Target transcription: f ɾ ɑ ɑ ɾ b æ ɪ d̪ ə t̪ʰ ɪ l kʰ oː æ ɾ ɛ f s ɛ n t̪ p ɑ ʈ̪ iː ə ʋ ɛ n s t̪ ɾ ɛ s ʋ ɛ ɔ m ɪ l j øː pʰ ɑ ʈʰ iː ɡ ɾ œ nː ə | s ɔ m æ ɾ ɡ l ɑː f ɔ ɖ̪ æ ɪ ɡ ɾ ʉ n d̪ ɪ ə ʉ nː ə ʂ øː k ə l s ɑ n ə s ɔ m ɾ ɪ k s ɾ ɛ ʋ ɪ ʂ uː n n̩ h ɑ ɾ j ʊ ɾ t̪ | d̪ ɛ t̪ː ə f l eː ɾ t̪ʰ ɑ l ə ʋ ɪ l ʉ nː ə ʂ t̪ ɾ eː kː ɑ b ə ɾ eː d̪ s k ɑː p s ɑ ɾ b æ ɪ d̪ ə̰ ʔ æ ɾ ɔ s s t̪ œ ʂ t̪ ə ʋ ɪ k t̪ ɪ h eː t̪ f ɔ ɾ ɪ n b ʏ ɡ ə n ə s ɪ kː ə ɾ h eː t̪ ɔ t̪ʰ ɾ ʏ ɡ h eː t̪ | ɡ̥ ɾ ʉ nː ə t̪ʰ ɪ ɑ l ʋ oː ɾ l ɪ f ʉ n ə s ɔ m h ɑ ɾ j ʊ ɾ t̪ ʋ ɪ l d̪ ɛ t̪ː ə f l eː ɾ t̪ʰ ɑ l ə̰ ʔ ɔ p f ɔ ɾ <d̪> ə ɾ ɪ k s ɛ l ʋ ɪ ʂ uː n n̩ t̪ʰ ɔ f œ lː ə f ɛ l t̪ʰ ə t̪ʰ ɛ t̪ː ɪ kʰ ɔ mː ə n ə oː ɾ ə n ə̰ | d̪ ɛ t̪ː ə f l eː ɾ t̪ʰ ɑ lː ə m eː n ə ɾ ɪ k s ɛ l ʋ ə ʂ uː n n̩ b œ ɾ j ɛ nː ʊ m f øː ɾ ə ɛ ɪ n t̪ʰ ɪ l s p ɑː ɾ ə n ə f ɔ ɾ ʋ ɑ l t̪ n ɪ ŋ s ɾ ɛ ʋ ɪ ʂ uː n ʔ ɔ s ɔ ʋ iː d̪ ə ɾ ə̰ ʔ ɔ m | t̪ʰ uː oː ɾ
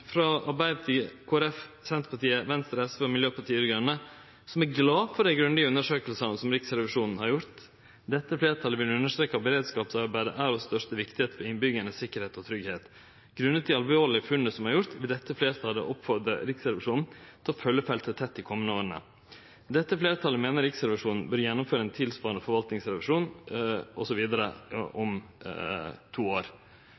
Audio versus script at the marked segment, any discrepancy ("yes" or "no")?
no